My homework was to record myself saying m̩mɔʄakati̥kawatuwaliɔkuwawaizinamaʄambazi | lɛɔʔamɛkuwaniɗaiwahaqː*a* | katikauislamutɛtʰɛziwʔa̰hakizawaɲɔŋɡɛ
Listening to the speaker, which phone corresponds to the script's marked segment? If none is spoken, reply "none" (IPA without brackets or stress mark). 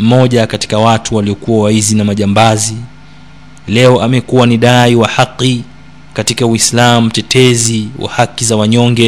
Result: i